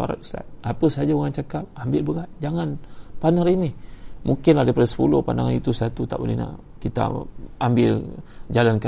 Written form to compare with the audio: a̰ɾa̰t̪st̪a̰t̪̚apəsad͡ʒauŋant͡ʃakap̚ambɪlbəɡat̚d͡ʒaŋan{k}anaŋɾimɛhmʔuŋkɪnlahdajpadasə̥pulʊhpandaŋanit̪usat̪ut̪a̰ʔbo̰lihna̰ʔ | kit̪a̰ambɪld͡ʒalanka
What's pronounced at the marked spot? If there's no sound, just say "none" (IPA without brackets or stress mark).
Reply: p